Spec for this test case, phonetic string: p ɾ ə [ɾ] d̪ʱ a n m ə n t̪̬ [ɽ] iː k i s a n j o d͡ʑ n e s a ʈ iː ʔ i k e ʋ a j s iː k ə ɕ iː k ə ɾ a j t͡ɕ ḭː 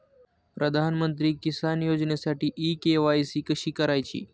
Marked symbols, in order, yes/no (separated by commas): no, no